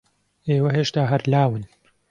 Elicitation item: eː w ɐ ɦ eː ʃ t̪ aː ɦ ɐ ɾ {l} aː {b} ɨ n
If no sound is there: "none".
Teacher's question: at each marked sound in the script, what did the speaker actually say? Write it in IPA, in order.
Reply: l, w

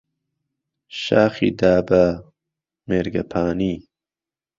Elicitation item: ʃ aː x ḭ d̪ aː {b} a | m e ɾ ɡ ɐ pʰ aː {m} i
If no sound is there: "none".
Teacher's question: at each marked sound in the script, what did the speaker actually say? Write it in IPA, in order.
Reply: b, n

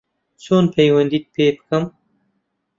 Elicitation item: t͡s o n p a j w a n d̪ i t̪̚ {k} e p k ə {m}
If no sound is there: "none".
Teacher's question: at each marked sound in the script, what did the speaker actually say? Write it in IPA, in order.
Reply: p, m

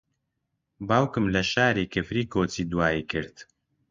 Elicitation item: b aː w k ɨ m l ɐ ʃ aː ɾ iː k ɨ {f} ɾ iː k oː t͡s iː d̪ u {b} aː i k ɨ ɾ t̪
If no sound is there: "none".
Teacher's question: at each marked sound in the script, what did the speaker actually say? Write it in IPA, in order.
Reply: f, w

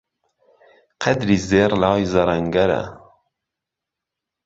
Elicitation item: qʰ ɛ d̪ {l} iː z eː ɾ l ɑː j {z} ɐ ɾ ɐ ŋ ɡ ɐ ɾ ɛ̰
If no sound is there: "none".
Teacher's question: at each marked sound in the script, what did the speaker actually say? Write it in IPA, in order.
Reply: ɾ, z

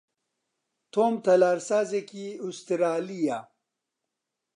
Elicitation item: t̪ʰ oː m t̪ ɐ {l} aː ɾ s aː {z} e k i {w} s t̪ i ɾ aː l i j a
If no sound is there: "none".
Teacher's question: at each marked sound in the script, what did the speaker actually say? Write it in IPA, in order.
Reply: l, z, u

